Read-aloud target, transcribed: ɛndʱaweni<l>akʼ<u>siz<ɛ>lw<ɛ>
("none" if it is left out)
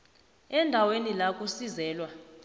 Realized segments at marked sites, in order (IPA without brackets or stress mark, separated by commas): l, u, ɛː, a